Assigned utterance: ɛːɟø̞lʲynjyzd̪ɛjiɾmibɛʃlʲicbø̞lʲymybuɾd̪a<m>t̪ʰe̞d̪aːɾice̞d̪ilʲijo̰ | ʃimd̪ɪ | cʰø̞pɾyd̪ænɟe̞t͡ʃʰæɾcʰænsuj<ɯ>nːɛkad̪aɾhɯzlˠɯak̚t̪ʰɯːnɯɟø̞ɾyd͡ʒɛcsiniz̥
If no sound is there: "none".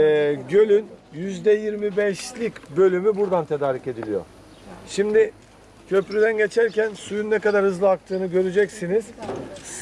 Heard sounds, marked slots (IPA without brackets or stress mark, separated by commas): n, u